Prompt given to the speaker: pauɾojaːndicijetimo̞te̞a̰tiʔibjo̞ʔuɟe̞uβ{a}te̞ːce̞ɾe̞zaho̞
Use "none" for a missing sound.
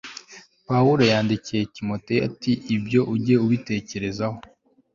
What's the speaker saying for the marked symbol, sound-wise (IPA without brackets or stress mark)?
i